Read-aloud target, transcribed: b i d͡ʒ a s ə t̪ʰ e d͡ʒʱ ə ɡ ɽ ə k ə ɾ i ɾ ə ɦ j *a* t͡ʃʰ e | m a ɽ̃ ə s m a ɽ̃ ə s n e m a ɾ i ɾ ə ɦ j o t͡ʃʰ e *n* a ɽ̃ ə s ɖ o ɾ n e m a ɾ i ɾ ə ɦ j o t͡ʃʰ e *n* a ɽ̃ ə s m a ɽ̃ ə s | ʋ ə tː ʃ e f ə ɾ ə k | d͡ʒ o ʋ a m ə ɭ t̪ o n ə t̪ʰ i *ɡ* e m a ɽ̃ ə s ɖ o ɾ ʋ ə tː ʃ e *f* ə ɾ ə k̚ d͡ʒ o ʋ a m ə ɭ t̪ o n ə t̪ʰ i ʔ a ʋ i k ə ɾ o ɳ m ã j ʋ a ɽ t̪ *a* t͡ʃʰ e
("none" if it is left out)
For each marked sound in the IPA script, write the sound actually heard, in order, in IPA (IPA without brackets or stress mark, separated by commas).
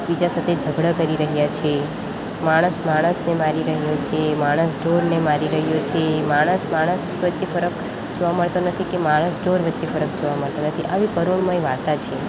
a, m, m, k, f, a